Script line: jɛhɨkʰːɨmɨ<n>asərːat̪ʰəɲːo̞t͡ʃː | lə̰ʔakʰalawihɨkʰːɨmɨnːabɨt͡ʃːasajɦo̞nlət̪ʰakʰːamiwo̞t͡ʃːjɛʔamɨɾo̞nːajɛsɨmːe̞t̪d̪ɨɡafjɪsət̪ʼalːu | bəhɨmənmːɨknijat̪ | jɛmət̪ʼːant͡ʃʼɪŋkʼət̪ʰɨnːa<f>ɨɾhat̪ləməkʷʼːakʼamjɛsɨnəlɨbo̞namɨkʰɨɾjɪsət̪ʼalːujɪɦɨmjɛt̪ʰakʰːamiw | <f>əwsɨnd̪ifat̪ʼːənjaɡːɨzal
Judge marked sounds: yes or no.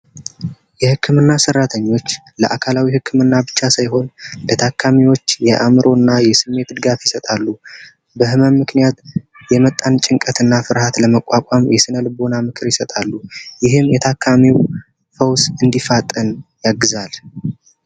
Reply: no, yes, yes

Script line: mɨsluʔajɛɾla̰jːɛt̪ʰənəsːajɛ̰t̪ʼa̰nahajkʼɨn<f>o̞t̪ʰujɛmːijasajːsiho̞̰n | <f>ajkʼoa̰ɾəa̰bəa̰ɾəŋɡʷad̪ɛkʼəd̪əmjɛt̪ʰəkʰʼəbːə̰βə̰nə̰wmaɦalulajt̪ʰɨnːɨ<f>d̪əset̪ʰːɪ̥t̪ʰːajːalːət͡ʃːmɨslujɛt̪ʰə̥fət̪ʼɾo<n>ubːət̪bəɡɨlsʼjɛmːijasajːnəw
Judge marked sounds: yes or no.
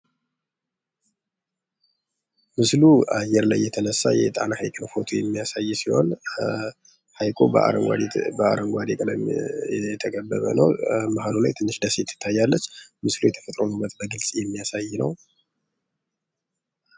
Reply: yes, no, no, yes

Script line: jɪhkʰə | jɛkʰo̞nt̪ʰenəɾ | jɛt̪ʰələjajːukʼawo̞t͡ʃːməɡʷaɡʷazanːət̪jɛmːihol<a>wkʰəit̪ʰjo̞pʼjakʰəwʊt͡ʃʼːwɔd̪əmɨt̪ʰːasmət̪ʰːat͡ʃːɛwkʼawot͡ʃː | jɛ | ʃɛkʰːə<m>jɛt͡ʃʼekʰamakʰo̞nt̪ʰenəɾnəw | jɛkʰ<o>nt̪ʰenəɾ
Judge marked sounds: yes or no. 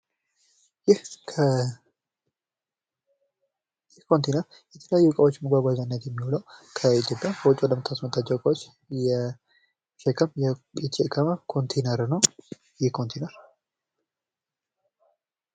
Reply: no, yes, yes

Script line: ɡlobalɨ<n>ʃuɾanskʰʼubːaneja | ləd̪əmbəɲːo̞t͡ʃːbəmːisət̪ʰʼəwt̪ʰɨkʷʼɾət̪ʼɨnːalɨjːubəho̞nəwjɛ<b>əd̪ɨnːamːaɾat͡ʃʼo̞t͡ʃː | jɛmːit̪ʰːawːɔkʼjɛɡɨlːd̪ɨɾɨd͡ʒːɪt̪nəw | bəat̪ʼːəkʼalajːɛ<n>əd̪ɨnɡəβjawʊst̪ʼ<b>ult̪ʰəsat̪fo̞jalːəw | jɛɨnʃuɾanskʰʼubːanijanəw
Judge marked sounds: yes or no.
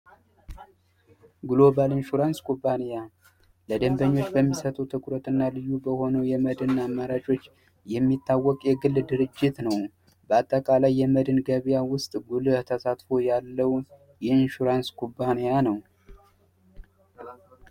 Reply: yes, no, no, no

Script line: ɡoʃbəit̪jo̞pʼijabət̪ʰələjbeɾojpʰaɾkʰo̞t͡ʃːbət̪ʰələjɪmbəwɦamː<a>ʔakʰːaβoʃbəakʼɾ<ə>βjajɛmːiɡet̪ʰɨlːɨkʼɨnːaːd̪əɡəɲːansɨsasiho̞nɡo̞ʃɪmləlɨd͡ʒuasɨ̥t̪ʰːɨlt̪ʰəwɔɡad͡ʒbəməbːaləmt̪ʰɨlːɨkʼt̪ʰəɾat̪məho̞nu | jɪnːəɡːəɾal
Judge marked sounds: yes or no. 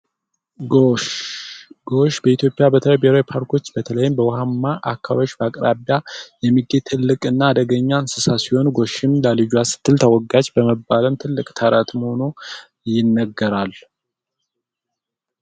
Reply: yes, no

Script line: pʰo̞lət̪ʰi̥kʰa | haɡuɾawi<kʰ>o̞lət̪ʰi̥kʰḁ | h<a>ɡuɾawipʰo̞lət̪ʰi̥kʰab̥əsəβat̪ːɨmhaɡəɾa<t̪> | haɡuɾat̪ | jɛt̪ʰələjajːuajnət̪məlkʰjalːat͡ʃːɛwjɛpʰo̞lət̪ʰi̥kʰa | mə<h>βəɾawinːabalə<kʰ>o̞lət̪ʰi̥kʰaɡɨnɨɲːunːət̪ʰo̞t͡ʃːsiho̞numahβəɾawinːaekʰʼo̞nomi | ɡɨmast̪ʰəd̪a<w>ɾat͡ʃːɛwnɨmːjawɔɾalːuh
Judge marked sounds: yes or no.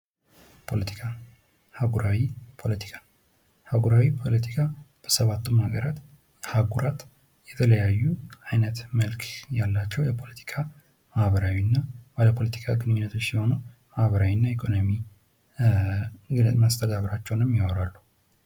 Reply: no, yes, yes, yes, no, no

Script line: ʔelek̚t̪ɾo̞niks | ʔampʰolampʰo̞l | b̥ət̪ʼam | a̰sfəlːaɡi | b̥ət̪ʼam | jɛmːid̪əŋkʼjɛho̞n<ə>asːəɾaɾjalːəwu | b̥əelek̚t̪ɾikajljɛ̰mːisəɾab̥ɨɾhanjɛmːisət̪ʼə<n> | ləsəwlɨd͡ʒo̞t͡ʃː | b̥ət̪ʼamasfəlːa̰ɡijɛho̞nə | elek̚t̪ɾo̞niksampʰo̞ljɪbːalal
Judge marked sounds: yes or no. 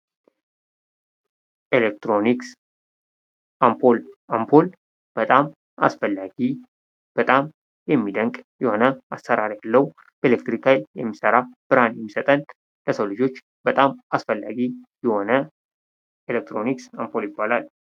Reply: yes, yes

